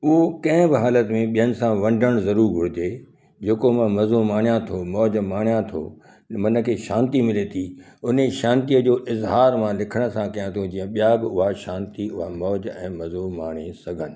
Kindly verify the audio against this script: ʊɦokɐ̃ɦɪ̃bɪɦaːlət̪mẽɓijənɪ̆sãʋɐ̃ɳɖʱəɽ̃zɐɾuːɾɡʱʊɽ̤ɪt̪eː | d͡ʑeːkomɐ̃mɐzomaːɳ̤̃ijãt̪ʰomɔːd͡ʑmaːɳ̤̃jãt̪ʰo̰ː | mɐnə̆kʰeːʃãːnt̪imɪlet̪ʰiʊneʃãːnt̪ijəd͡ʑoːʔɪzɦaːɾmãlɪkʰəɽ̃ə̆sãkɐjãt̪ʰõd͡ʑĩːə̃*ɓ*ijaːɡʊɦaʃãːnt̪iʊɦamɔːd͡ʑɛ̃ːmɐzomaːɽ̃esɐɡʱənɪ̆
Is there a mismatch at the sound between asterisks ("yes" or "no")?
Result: no